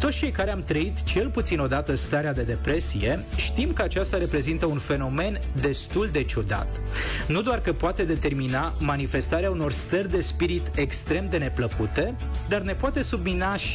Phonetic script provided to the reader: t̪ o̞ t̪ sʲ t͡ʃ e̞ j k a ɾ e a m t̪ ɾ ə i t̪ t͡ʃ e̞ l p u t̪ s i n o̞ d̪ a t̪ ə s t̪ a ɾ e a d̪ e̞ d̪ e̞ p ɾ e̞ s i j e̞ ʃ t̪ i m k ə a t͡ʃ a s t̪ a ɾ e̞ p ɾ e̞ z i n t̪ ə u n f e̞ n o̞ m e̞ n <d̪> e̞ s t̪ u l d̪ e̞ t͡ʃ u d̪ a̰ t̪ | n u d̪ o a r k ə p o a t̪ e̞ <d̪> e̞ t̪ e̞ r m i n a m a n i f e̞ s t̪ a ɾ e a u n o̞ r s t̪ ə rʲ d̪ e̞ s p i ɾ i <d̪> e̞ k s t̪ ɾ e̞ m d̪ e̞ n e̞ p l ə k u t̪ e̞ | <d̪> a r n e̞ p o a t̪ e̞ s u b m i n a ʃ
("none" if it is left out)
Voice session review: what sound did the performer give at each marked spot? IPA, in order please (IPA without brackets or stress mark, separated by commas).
d̪, d̪, t̪, d̪